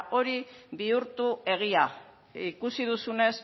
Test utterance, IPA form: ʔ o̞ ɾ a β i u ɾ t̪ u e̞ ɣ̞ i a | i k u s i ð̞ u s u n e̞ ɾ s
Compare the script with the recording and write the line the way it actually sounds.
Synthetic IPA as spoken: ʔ o̞ ɾ i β i u ɾ t̪ u e̞ ɣ̞ i a | i k u s i ð̞ u s u n e̞ s